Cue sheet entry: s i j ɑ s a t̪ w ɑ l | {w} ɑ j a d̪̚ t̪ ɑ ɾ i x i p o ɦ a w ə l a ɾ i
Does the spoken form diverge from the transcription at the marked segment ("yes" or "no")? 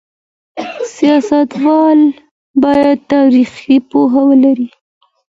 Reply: yes